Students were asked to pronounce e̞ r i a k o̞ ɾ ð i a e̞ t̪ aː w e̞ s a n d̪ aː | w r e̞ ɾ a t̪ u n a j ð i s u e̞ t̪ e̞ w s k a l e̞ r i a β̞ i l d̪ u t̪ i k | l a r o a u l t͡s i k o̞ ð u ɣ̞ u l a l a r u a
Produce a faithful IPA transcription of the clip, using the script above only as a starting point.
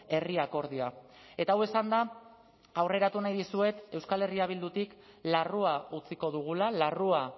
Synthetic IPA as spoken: e̞ r i a k o̞ ɾ ð i a e̞ t̪ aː w e̞ s a n d̪ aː | w r e̞ ɾ a t̪ u n a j ð i s u e̞ t̪ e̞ w s k a l e̞ r i a β̞ i l d̪ u t̪ i k | l a r u a u t͡s i k o̞ ð u ɣ̞ u l a l a r u a